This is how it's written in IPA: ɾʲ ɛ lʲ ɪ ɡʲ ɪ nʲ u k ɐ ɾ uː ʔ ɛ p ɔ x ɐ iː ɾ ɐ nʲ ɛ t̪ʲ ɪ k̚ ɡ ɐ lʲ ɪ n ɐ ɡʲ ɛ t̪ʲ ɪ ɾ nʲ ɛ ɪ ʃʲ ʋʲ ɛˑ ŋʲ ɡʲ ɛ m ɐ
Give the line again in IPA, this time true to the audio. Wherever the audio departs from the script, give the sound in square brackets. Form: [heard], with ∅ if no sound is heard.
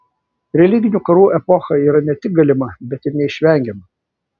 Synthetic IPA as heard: ɾʲ ɛ lʲ ɪ ɡʲ ɪ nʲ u k ɐ ɾ uː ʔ ɛ p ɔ x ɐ iː ɾ ɐ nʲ ɛ t̪ʲ ɪ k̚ ɡ ɐ lʲ ɪ [m] ɐ [bʲ] ɛ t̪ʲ ɪ ɾ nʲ ɛ ɪ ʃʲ ʋʲ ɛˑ ŋʲ ɡʲ ɛ m ɐ